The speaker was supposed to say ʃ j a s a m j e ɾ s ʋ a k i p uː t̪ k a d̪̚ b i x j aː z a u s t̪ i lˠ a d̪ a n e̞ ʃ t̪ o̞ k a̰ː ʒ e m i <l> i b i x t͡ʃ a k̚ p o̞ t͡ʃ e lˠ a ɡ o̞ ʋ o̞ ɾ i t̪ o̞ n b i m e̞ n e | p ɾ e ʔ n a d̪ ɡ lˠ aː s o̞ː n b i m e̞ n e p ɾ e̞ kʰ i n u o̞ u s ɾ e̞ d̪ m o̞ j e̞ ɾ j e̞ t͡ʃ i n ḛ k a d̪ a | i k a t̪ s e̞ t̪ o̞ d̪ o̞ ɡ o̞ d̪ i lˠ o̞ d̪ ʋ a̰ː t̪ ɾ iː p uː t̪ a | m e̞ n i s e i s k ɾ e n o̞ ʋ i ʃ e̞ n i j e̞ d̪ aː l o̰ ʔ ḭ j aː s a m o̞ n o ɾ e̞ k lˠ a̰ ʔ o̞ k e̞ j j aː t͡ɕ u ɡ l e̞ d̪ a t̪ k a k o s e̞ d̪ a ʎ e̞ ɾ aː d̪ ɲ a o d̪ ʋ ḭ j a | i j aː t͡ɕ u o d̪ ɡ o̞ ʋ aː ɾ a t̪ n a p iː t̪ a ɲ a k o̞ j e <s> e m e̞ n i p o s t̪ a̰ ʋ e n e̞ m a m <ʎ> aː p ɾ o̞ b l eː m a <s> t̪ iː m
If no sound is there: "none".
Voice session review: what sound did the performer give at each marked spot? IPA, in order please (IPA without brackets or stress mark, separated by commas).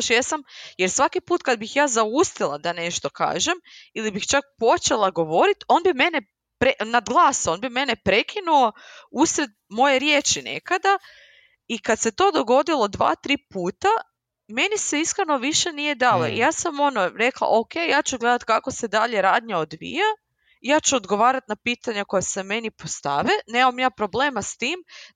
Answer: l, s, j, s